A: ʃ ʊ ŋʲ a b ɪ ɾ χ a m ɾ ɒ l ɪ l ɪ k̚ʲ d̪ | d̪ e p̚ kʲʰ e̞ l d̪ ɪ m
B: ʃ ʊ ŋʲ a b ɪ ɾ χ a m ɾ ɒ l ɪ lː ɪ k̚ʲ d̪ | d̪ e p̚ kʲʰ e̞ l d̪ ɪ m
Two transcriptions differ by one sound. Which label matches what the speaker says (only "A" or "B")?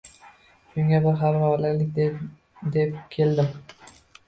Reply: A